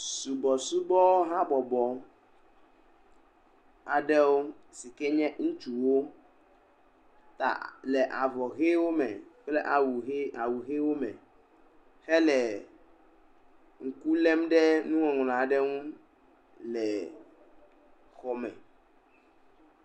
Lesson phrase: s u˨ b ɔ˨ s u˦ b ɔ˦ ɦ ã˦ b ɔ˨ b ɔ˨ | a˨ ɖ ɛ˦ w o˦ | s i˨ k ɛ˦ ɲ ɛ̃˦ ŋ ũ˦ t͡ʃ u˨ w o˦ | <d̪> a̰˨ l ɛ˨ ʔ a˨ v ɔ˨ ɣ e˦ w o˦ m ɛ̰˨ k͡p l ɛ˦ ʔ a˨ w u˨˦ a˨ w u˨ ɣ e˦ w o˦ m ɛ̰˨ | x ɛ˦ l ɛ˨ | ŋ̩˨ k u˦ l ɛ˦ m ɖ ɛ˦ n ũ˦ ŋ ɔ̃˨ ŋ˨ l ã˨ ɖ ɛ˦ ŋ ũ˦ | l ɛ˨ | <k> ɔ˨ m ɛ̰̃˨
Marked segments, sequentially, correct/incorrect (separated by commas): incorrect, incorrect